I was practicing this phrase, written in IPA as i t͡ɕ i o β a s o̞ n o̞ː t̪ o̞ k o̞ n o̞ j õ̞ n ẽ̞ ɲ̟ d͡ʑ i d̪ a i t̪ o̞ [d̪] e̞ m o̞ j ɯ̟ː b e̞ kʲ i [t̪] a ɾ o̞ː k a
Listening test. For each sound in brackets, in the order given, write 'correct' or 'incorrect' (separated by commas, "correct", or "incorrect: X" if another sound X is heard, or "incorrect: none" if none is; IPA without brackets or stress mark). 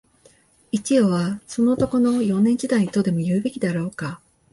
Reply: correct, incorrect: d̪